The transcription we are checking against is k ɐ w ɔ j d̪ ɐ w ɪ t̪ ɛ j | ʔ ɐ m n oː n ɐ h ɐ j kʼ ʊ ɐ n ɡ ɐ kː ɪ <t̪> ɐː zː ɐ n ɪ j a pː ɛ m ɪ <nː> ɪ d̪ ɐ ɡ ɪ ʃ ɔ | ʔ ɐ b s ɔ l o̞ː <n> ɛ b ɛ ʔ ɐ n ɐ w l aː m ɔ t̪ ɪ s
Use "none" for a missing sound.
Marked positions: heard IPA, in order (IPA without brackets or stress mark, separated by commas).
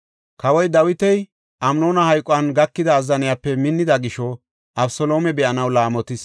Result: d̪, nː, m